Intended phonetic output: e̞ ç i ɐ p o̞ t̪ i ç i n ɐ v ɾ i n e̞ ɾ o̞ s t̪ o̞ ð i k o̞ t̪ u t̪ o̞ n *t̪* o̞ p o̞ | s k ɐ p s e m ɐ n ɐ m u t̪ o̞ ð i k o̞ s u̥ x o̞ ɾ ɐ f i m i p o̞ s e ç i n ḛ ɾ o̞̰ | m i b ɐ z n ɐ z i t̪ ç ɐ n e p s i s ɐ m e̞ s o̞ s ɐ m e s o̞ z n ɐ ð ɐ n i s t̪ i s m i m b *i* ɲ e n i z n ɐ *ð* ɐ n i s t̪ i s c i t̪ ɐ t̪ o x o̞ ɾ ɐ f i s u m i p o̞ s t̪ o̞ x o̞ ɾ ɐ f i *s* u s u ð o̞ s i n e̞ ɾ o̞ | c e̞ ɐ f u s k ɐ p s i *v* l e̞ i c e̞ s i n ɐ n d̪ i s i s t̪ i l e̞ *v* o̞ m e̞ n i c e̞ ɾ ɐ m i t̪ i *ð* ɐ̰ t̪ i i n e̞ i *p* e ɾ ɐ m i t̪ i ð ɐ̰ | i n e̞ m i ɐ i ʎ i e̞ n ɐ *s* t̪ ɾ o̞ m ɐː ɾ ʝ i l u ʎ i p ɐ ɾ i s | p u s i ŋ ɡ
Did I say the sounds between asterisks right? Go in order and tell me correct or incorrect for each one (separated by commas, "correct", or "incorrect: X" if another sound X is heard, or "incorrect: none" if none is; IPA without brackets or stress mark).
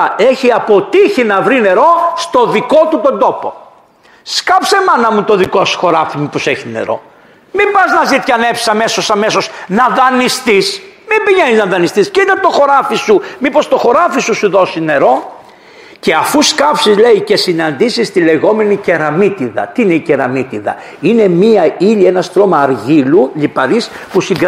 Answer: incorrect: d̪, correct, correct, correct, incorrect: z, incorrect: ɣ, correct, incorrect: c, correct